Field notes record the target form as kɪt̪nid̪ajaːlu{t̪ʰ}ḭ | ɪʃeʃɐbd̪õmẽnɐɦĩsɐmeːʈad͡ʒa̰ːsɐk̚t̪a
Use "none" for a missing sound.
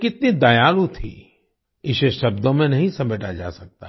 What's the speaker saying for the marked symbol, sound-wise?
t̪ʰ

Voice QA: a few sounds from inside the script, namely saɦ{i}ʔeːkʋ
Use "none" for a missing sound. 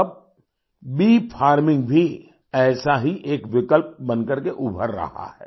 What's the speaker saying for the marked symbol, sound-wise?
i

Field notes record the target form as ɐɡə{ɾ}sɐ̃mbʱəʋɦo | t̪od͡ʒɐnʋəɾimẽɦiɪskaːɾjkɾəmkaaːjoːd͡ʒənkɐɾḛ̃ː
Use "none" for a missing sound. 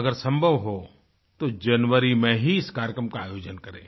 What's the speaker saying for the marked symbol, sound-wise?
ɾ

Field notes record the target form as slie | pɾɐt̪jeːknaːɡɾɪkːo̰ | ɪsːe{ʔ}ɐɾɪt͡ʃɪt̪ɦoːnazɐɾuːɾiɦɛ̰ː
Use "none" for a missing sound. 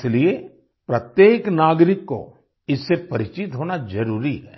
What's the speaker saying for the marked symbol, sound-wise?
p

